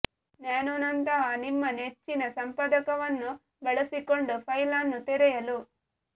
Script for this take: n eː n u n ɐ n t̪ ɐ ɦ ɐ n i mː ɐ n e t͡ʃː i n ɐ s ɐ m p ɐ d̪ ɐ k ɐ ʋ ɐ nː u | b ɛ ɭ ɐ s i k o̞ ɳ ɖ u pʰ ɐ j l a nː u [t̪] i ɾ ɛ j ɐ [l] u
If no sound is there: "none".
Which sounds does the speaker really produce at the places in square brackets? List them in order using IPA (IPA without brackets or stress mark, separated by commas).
t̪, l